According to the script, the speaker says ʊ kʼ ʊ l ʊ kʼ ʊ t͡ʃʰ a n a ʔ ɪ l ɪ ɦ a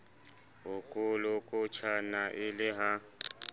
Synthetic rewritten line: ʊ kʼ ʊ l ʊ kʼ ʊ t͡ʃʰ a n a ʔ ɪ l ɪ ɦ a